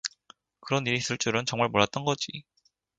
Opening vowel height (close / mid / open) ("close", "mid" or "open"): close